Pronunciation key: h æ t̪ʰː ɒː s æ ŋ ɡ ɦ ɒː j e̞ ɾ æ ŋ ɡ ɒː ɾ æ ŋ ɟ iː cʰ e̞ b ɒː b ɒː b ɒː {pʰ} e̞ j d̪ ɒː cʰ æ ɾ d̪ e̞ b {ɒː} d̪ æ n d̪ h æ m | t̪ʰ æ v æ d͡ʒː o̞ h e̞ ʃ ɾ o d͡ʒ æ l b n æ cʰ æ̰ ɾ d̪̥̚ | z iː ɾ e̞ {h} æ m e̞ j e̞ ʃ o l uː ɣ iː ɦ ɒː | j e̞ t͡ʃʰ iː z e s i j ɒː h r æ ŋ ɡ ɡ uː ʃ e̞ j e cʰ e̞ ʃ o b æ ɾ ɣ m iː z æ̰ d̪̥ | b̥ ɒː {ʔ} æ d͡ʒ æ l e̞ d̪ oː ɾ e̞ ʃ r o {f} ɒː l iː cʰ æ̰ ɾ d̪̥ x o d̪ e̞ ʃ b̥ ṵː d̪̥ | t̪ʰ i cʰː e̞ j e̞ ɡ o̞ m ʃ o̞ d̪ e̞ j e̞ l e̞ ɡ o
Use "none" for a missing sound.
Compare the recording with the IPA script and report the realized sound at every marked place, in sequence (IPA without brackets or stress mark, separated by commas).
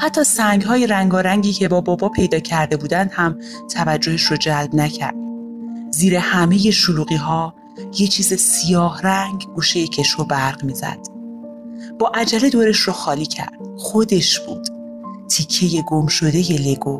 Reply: pʰ, uː, h, ʔ, x